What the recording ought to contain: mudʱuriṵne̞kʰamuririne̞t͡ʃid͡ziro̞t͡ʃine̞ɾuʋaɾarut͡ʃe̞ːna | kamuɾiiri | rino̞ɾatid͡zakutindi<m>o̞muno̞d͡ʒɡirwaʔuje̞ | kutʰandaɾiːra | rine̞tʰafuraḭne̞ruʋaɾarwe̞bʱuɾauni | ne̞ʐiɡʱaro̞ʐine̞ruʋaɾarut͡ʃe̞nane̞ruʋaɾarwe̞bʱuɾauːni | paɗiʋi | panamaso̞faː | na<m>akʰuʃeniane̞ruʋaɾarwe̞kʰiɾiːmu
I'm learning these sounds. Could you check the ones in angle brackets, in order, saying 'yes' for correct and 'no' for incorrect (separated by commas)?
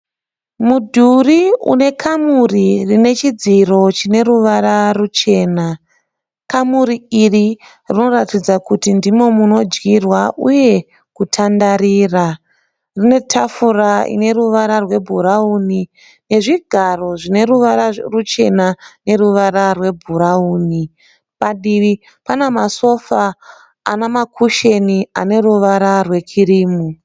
yes, yes